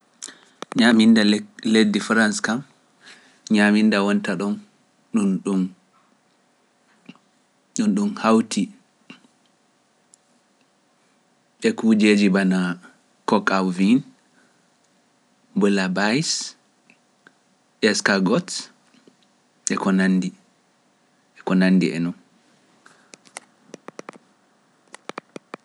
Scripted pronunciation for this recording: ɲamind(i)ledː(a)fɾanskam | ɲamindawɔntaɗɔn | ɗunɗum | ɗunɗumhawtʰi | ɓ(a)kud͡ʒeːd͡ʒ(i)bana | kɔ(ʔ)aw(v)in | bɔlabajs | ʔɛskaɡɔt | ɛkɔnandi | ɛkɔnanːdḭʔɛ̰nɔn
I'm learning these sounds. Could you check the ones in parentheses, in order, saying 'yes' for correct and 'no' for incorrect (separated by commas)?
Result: no, no, no, yes, no, yes